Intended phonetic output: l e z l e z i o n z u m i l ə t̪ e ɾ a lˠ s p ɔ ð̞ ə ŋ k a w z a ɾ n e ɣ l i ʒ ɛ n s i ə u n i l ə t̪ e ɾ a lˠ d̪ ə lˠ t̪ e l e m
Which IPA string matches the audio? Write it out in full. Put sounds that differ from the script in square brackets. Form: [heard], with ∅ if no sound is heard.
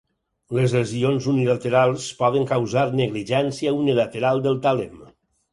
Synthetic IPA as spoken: l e z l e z i o n z u [n] i l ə t̪ e ɾ a lˠ s p ɔ ð̞ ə ŋ k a w z a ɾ n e ɣ l i ʒ ɛ n s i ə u n i l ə t̪ e ɾ a lˠ d̪ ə lˠ t̪ [a] l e m